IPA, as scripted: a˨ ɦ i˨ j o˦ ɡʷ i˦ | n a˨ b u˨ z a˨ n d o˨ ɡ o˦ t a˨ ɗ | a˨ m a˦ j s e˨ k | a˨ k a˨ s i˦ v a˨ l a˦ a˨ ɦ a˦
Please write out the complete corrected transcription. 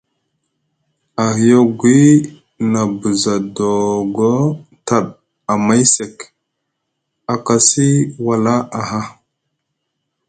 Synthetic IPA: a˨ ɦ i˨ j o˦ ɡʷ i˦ | n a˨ b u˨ z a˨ d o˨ ɡ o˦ t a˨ ɗ | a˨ m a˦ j s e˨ k | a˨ k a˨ s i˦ w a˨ l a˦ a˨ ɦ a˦